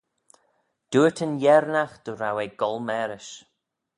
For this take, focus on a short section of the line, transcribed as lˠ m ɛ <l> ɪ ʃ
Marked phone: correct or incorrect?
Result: incorrect